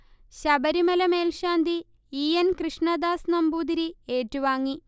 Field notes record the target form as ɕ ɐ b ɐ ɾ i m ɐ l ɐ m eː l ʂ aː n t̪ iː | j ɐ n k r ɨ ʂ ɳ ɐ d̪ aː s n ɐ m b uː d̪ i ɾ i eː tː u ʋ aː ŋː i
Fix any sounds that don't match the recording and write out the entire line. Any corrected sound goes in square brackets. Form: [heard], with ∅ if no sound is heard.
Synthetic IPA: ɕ ɐ b ɐ ɾ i m ɐ l ɐ m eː l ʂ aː n [d̪] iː | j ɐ n k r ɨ ʂ ɳ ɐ d̪ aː s n ɐ m b uː d̪ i ɾ i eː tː u ʋ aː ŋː i